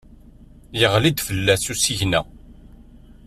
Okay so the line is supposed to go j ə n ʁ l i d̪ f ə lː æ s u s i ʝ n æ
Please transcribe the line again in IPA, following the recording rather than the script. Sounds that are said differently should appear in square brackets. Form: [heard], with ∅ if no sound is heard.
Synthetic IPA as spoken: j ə [∅] ʁ l i d̪ f ə lː æ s u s i ʝ n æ